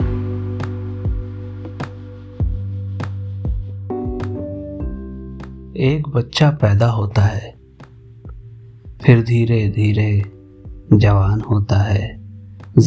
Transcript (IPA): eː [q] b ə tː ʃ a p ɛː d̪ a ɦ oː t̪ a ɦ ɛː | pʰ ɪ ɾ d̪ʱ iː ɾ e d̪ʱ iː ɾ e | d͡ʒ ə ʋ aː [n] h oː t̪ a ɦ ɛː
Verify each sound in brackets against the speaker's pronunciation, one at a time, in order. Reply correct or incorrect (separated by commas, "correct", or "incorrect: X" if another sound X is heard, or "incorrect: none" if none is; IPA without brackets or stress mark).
incorrect: k, correct